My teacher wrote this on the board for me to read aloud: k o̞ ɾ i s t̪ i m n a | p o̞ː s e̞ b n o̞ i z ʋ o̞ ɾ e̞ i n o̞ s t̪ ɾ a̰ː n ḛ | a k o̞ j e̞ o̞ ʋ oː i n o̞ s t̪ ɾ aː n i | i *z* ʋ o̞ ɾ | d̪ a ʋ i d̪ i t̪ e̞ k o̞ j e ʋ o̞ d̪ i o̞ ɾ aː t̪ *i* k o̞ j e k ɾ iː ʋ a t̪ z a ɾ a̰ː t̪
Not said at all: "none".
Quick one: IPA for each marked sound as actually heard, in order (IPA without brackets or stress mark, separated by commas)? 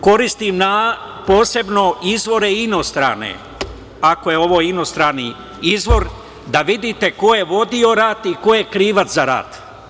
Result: z, i